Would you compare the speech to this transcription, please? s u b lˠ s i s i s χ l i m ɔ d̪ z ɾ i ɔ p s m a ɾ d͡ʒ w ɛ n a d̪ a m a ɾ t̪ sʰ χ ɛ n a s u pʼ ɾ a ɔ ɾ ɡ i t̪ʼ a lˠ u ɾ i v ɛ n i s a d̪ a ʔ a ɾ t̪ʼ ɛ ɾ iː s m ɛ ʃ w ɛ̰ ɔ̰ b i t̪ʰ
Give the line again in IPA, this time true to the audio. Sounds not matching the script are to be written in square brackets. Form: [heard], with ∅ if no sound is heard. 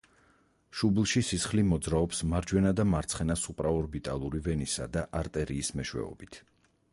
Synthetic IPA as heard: [ʃ] u b lˠ [ʃ] i s i s χ l i m ɔ d̪ z ɾ [a] ɔ p s m a ɾ d͡ʒ w ɛ n a d̪ a m a ɾ t̪ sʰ χ ɛ n a s u pʼ ɾ a ɔ ɾ [b] i t̪ʼ a lˠ u ɾ i v ɛ n i s a d̪ a ʔ a ɾ t̪ʼ ɛ ɾ iː s m ɛ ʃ w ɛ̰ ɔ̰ b i t̪ʰ